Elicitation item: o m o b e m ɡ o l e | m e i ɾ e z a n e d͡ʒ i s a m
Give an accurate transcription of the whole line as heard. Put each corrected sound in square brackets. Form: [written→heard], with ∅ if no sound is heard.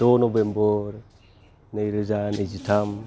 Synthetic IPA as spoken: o [m→n] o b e m [ɡ→b] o [l→ɾ] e | [m→n] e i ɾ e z a n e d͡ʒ i [s→t] a m